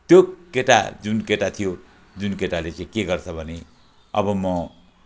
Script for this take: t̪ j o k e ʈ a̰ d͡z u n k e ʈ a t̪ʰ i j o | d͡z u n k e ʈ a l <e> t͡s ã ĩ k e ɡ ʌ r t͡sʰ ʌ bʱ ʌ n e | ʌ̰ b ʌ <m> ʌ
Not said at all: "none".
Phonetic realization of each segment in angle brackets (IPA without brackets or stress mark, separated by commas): e, m